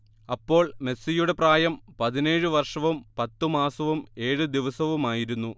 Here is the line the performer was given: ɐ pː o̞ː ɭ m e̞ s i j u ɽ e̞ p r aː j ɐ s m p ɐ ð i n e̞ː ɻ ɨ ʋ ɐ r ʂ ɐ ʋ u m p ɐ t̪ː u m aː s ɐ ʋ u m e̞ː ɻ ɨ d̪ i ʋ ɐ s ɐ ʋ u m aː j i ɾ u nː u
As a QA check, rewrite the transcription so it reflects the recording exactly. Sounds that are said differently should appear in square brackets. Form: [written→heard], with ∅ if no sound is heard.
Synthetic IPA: ɐ pː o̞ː ɭ m e̞ s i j u ɽ e̞ p r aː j ɐ [s→∅] m p ɐ ð i n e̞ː ɻ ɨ ʋ ɐ r ʂ ɐ ʋ u m p ɐ t̪ː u m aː s ɐ ʋ u m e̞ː ɻ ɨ d̪ i ʋ ɐ s ɐ ʋ u m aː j i ɾ u nː u